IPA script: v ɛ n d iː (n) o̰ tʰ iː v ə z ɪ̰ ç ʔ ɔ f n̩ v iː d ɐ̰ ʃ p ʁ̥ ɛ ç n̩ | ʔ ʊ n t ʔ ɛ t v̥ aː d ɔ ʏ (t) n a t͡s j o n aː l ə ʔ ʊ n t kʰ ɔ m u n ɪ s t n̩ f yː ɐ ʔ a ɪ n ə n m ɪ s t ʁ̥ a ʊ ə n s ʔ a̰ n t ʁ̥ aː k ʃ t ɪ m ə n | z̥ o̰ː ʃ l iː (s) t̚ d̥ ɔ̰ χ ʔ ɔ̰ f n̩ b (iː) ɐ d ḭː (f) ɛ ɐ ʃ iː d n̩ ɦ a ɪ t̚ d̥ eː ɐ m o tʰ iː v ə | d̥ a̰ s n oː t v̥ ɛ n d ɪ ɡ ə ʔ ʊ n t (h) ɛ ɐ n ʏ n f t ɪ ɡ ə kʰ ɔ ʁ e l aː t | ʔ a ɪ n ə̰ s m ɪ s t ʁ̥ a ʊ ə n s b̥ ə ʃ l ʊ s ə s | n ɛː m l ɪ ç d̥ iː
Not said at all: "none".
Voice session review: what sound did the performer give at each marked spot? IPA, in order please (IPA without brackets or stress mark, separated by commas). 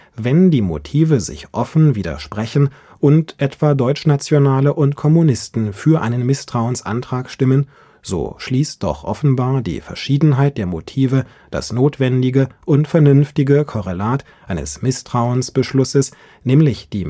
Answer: m, t͡ʃ, s, aː, f, f